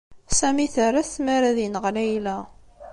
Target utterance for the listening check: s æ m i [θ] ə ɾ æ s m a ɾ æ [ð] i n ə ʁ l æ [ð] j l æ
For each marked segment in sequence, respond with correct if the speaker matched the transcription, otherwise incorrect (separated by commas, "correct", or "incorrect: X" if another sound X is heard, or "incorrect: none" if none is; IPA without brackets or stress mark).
correct, correct, incorrect: none